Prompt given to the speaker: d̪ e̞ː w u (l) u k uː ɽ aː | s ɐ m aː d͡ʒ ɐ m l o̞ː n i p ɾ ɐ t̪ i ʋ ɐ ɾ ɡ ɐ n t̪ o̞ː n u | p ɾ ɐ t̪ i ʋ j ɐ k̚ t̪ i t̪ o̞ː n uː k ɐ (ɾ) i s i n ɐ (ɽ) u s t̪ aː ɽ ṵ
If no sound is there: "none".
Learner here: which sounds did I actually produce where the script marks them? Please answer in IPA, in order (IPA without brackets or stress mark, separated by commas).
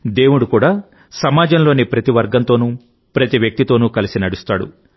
ɽ, l, ɽ